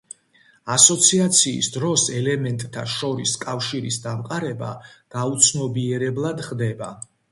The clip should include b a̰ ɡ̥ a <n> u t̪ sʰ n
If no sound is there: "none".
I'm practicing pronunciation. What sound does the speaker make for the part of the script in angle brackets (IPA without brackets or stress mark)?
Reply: none